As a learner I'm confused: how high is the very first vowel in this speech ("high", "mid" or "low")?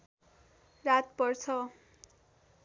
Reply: low